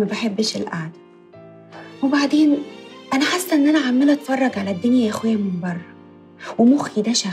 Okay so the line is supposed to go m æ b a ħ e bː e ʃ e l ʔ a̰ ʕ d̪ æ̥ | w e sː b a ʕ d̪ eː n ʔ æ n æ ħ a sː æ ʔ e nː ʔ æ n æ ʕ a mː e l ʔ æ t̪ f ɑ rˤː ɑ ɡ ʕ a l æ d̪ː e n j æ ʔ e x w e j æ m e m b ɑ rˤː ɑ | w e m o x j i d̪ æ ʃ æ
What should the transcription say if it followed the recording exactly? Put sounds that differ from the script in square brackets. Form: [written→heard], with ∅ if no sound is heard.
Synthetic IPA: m æ b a ħ e bː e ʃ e l ʔ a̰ ʕ d̪ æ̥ | w e [sː→∅] b a ʕ d̪ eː n ʔ æ n æ ħ a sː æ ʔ e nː ʔ æ n æ ʕ a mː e l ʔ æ t̪ f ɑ rˤː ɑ ɡ ʕ a l æ d̪ː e n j æ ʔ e x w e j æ m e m b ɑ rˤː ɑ | w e m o x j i d̪ æ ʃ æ